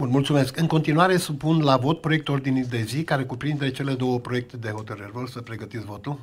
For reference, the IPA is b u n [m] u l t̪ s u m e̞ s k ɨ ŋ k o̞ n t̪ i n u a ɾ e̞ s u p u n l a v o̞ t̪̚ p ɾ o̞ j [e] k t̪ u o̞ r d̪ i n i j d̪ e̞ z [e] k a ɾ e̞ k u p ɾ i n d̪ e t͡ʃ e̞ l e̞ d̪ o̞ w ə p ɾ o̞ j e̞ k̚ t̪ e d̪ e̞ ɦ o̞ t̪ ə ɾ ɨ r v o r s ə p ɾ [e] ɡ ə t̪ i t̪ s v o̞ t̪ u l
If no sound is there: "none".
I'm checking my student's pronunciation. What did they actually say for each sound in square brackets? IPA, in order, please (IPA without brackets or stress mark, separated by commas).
m, e, i, e